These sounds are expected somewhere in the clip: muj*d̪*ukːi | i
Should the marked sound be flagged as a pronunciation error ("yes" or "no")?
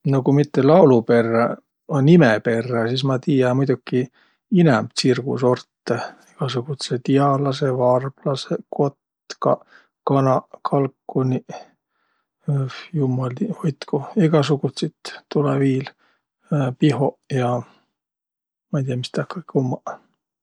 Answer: no